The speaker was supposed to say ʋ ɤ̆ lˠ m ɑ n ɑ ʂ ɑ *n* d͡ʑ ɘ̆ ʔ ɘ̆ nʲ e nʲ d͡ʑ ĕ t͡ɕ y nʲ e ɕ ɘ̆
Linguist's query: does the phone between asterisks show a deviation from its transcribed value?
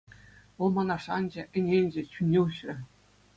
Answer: no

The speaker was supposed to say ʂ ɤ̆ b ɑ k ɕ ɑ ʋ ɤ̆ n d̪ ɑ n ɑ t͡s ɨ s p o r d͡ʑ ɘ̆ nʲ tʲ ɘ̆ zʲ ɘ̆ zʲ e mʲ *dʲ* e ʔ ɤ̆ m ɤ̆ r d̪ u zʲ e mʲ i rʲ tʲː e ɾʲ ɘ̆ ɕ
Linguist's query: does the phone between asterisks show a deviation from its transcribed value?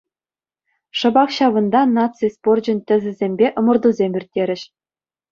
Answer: yes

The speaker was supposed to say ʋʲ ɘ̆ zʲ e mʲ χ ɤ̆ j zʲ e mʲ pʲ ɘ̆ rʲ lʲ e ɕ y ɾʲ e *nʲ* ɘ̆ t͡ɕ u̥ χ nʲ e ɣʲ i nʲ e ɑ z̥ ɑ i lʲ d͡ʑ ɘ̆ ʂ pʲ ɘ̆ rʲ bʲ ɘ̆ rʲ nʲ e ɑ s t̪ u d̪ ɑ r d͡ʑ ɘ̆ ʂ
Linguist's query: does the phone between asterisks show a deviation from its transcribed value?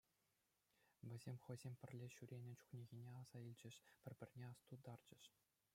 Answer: no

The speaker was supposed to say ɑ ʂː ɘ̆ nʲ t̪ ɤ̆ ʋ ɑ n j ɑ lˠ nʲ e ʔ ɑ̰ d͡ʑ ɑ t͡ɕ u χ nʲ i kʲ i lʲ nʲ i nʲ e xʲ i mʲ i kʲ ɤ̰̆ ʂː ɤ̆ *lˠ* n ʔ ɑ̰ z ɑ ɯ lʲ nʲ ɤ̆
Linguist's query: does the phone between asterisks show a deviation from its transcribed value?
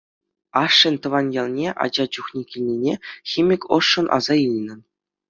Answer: yes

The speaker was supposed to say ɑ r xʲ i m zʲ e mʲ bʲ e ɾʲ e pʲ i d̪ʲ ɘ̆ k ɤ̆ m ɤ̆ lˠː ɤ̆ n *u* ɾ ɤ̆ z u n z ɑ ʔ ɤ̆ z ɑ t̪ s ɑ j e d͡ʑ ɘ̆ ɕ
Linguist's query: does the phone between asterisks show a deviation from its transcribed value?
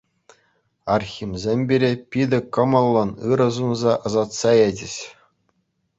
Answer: yes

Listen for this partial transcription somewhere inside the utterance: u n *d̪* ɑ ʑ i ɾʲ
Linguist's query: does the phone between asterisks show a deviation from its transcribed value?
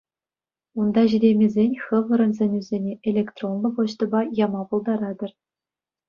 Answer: no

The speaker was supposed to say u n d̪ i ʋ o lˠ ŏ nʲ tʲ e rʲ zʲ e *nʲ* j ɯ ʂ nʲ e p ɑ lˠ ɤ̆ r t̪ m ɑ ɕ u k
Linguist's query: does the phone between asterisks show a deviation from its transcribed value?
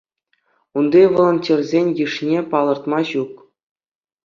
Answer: no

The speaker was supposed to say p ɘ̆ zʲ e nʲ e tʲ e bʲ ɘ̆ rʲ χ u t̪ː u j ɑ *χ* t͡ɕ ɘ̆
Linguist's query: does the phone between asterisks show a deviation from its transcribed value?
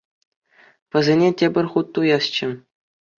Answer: yes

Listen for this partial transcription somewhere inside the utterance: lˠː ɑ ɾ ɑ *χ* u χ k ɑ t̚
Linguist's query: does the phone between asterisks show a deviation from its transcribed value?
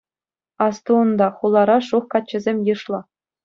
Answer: yes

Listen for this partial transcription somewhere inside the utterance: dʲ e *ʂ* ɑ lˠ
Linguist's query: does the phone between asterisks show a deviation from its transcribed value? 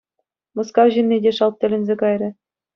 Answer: no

